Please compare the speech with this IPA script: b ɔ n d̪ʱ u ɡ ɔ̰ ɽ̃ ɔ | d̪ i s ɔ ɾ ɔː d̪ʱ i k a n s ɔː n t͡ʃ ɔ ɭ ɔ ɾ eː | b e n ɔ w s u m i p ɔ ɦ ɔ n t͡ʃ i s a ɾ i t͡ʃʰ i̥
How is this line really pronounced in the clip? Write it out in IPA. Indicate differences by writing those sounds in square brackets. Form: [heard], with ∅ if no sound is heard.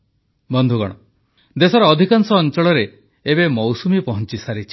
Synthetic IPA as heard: b ɔ n d̪ʱ u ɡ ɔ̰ ɽ̃ ɔ | d̪ [e] s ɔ ɾ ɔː d̪ʱ i k a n s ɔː n t͡ʃ ɔ ɭ ɔ ɾ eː | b e [m] ɔ w s u m i p ɔ ɦ ɔ n t͡ʃ i s a ɾ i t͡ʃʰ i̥